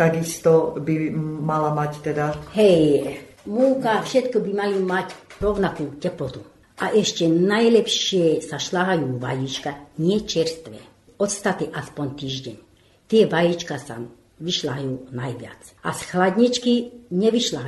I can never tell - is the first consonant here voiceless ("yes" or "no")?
yes